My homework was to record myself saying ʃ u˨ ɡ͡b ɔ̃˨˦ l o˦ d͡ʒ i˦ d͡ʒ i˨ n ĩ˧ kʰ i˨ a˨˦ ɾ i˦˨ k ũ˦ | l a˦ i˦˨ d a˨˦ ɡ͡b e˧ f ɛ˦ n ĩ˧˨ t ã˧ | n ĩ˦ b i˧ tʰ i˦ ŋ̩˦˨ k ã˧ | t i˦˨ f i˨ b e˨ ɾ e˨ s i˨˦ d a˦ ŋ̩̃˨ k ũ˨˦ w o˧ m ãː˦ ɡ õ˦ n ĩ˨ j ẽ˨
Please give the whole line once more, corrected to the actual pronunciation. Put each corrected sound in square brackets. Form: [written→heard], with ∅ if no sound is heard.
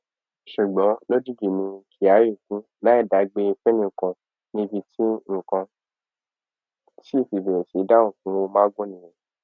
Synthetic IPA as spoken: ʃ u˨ ɡ͡b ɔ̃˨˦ l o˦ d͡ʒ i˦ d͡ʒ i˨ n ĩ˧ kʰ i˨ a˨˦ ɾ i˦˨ k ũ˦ | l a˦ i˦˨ d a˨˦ ɡ͡b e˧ f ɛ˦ n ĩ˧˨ [t→k] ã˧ | n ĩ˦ b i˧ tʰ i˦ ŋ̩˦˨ k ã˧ | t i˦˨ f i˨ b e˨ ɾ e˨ s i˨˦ d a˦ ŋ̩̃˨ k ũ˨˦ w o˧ m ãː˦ ɡ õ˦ n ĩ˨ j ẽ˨